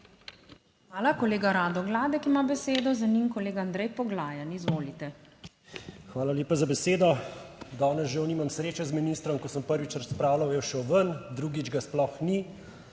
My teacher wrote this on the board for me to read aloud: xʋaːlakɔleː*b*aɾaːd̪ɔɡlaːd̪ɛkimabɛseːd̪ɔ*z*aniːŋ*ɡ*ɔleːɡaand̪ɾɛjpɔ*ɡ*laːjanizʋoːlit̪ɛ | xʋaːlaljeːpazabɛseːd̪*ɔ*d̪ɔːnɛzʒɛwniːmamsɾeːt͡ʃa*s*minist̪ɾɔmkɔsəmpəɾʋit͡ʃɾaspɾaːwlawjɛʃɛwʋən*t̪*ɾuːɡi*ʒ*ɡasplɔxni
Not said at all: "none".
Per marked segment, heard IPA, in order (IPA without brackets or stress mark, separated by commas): ɡ, z, k, ɡ, ɔ, z, d̪, d͡ʒ